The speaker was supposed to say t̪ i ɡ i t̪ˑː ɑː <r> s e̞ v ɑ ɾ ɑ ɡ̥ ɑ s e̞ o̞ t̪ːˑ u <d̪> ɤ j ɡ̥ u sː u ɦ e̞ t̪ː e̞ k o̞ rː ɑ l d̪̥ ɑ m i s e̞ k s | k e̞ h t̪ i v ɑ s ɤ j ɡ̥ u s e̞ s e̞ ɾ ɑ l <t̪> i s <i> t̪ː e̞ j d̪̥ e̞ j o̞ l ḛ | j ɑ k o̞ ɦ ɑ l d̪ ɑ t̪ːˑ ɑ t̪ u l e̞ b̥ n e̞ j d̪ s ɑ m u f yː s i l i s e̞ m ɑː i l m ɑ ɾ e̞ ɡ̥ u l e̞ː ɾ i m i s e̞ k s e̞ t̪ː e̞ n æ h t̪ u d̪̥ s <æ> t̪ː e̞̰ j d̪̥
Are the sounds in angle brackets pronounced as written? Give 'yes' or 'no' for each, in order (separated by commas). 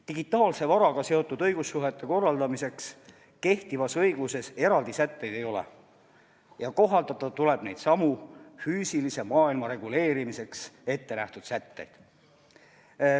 no, yes, no, no, yes